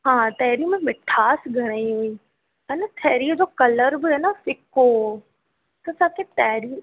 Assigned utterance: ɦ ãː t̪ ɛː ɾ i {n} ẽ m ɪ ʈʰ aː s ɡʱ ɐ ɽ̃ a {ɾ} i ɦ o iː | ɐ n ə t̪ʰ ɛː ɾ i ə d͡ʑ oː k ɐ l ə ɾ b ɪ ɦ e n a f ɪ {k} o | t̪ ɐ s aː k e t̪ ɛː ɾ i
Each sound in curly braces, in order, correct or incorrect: incorrect: m, incorrect: none, correct

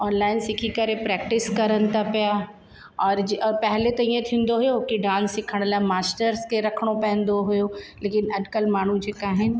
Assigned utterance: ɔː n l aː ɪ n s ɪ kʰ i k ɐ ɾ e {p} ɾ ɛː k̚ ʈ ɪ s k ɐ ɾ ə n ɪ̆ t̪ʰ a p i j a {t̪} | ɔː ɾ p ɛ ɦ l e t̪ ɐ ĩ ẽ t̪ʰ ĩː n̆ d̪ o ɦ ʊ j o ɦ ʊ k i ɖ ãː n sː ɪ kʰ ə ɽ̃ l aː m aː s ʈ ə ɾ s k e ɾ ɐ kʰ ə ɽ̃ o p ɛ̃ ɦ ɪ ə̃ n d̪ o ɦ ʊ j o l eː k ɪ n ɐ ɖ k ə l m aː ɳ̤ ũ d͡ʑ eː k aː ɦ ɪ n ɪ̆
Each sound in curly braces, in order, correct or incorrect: correct, incorrect: none

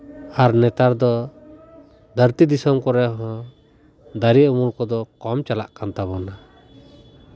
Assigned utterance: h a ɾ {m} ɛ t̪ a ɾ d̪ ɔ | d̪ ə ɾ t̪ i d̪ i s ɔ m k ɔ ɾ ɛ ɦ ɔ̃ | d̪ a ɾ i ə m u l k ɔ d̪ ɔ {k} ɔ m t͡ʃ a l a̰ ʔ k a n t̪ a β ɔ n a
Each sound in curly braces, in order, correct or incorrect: incorrect: n, correct

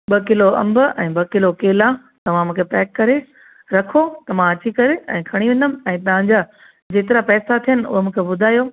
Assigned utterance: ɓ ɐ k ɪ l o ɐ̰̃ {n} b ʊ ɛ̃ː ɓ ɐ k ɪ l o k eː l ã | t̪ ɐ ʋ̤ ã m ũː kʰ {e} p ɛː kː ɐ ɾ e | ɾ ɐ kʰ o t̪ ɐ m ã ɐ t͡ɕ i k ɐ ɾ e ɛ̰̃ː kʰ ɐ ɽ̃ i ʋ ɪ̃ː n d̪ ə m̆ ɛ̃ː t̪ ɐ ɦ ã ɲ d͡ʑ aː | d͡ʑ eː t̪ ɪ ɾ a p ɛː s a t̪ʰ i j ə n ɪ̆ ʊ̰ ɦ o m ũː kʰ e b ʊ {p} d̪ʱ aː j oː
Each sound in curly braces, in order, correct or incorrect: incorrect: m, correct, incorrect: none

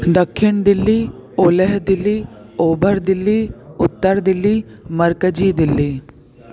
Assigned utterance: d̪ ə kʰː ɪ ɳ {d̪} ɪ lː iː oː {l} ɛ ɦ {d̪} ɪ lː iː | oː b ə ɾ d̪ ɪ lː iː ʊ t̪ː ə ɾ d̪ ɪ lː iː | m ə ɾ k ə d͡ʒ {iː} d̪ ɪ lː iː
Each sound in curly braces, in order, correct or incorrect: correct, correct, correct, correct

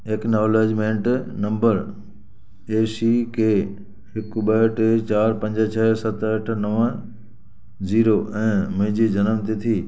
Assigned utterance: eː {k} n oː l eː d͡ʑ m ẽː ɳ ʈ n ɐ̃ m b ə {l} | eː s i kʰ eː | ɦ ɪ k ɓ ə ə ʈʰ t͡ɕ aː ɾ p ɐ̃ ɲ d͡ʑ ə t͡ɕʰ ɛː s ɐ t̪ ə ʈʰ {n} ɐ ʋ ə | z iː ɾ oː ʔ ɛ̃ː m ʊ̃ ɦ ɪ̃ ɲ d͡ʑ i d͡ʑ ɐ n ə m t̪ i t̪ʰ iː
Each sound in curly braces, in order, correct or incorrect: correct, incorrect: ɾ, correct

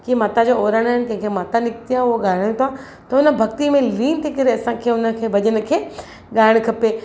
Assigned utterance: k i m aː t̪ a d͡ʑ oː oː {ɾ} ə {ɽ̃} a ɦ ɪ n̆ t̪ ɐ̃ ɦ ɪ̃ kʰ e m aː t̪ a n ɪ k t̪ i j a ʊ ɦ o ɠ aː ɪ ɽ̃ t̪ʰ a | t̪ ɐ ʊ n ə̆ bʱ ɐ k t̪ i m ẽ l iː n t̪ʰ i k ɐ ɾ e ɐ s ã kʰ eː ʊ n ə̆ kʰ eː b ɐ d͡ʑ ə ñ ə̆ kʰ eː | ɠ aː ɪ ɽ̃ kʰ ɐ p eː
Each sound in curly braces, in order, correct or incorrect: correct, correct

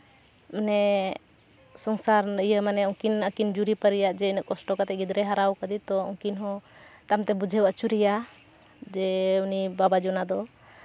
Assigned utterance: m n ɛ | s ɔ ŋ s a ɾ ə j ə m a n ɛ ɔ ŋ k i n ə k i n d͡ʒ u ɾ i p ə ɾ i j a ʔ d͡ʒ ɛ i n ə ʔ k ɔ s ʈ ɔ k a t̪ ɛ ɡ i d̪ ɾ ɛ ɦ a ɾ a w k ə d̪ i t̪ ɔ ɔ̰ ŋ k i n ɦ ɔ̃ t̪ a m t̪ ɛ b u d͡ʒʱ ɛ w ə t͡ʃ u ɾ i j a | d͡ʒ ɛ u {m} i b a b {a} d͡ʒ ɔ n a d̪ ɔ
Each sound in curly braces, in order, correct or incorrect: incorrect: n, correct

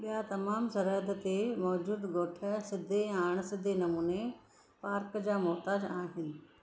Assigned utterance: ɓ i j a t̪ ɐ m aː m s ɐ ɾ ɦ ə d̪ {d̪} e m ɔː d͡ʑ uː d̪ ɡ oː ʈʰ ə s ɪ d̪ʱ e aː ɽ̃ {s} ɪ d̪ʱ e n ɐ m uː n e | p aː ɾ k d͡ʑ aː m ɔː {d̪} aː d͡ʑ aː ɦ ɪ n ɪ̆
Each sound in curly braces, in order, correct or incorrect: incorrect: t̪, correct, incorrect: t̪

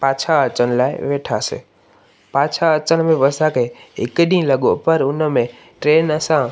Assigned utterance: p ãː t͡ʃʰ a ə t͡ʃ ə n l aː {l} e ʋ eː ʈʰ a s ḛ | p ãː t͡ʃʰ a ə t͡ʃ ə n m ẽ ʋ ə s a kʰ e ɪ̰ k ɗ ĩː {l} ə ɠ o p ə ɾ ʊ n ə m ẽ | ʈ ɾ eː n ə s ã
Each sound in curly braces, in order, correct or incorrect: incorrect: none, correct

